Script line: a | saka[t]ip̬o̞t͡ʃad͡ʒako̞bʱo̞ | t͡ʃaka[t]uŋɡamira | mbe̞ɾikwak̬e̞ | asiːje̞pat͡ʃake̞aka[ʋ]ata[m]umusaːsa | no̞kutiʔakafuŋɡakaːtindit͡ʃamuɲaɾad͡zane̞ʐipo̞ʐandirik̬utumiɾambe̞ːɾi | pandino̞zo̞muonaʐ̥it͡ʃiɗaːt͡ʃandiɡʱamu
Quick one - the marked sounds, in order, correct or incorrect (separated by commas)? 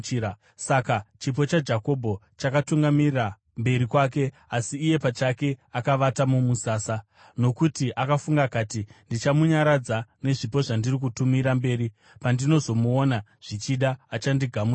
incorrect, correct, correct, correct